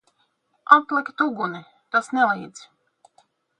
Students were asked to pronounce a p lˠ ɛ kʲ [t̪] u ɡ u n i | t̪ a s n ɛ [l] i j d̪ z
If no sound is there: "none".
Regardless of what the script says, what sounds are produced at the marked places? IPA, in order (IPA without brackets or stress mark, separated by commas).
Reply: t̪, l